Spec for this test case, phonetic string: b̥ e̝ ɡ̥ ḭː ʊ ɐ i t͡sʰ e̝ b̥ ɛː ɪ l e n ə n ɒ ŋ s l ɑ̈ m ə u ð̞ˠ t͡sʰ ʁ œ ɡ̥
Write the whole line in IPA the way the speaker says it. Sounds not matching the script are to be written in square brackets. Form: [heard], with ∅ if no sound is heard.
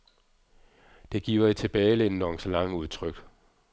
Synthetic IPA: [d̥] e̝ ɡ̥ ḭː ʊ ɐ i t͡sʰ e̝ b̥ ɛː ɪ l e n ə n ɒ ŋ s l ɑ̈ [ŋ] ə u ð̞ˠ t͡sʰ ʁ œ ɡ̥

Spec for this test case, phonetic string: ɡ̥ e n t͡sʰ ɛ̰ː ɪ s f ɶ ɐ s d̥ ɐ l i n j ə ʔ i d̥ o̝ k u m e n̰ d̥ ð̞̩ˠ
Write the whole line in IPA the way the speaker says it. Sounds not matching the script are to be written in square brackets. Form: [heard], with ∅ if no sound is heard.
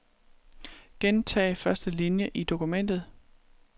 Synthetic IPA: ɡ̥ e n t͡sʰ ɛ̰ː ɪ [∅] f ɶ ɐ s d̥ [ə] l i n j ə ʔ i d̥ o̝ k u m e n̰ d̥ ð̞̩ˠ

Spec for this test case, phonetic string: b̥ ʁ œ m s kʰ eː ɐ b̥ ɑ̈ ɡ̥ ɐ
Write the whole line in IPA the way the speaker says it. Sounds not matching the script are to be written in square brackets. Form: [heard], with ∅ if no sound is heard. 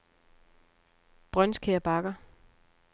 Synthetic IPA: b̥ ʁ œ [n] s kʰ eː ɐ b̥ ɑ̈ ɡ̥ ɐ

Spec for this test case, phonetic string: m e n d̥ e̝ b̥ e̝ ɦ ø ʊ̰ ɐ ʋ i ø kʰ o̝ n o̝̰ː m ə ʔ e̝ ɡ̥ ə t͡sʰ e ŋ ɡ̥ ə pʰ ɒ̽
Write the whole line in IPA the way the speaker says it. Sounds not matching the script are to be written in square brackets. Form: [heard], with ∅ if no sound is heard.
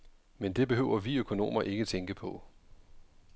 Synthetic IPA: m e n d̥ e̝ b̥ e̝ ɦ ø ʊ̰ ɐ ʋ i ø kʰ o̝ n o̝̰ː m [ɐ] ʔ e̝ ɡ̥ ə t͡sʰ e ŋ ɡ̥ ə pʰ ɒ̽

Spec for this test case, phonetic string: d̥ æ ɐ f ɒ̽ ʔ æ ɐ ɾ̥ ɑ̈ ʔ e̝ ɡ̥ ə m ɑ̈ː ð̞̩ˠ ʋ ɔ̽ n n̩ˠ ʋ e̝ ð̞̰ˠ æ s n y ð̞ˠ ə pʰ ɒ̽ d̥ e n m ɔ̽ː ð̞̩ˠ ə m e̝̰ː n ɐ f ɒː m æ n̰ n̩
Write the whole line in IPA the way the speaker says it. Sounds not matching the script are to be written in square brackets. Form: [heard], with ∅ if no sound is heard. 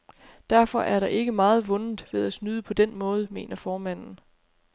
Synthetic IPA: d̥ æ ɐ f ɒ̽ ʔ æ ɐ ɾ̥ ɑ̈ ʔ e̝ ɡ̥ ə m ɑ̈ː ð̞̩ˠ ʋ ɔ̽ n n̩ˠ ʋ e̝ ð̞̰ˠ æ s n y ð̞ˠ ə pʰ ɒ̽ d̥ e n m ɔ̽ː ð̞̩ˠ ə m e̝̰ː n ɐ f ɒː m æ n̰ n̩

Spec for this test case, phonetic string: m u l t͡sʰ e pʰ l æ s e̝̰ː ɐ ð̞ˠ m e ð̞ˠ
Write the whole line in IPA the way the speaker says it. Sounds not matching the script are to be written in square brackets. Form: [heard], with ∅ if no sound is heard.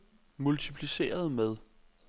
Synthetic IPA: m u l t͡sʰ [i] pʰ l [i] s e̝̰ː ɐ ð̞ˠ m e ð̞ˠ

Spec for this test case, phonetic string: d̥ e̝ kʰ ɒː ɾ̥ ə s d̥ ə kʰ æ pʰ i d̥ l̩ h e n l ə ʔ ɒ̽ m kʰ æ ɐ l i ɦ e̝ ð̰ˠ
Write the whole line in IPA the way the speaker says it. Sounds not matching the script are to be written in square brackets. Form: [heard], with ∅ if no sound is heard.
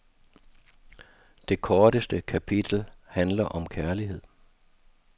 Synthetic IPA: d̥ e̝ kʰ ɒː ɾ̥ ə s d̥ ə kʰ æ pʰ i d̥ l̩ h [æ] n l [ɐ] ʔ ɒ̽ m kʰ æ ɐ l i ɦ e̝ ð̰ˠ

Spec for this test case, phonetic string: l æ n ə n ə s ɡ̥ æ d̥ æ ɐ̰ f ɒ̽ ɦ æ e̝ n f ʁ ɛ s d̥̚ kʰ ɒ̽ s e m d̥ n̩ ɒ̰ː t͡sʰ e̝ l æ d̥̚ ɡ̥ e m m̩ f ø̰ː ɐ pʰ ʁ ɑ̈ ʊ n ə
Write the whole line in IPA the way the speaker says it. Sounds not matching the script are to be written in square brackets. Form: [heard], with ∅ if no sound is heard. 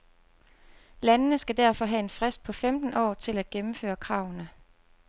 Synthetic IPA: l æ n ə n ə s ɡ̥ æ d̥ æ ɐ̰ f ɒ̽ ɦ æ e̝ n f ʁ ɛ s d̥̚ [pʰ] ɒ̽ [f] e m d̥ n̩ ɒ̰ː t͡sʰ e̝ l æ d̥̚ ɡ̥ e m m̩ f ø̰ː ɐ [kʰ] ʁ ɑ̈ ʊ n ə

